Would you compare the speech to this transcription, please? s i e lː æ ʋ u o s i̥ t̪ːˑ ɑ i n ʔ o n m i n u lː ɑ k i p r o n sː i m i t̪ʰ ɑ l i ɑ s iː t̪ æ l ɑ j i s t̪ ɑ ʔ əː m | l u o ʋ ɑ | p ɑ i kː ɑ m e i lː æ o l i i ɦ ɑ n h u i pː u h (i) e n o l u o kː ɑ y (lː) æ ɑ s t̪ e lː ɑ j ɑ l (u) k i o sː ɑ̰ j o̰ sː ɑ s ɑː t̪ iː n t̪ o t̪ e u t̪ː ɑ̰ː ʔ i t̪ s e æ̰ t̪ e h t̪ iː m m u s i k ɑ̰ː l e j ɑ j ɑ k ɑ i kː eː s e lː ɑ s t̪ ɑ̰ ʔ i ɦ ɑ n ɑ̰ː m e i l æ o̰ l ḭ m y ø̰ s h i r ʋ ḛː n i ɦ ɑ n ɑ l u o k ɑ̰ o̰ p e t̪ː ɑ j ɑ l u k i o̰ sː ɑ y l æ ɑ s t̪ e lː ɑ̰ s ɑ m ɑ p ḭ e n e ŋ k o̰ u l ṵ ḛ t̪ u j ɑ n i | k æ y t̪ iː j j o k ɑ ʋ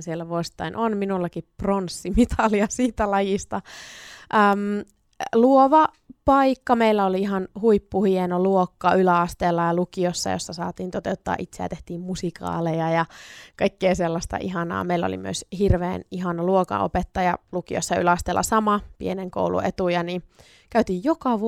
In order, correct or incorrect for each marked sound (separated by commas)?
correct, incorrect, correct